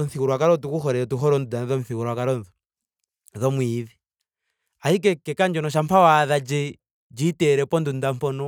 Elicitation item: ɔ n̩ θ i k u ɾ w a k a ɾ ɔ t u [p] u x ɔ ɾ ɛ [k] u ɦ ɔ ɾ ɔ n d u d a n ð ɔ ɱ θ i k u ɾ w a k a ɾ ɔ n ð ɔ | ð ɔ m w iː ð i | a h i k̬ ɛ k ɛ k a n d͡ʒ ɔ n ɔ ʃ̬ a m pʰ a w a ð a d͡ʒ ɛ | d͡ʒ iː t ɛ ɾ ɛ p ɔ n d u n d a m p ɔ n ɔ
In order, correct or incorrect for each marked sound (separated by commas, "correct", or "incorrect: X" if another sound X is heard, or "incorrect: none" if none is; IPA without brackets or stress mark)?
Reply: incorrect: k, incorrect: t